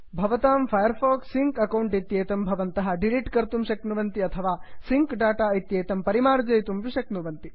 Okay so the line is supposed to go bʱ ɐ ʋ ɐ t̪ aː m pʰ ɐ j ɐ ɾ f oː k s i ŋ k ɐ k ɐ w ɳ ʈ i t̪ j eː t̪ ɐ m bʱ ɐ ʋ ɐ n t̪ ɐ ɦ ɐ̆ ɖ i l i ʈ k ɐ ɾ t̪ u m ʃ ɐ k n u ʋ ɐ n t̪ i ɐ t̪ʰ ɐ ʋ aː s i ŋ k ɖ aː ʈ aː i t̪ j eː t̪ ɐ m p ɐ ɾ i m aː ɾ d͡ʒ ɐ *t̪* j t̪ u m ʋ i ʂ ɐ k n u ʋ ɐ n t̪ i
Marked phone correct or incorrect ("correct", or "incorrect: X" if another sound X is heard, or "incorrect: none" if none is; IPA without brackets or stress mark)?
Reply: incorrect: none